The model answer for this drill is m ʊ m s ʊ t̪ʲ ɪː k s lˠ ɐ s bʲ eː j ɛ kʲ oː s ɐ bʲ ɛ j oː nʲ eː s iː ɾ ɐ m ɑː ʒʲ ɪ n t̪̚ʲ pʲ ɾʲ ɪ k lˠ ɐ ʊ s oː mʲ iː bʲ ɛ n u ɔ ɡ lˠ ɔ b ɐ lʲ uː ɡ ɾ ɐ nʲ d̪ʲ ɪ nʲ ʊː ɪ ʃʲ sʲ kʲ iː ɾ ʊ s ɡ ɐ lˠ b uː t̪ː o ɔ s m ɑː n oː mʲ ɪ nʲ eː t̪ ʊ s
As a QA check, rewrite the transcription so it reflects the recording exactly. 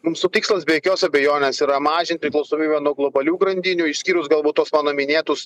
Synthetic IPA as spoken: m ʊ m s ʊ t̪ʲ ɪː k s lˠ ɐ s bʲ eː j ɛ kʲ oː s ɐ bʲ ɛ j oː nʲ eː s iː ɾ ɐ m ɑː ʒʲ ɪ n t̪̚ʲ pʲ ɾʲ ɪ k lˠ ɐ ʊ s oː mʲ iː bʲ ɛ n u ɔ ɡ lˠ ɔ b ɐ lʲ uː ɡ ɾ ɐ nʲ d̪ʲ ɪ nʲ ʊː ɪ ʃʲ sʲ kʲ iː ɾ ʊ s ɡ ɐ lˠ b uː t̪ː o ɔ s m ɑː n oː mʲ ɪ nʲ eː t̪ ʊ s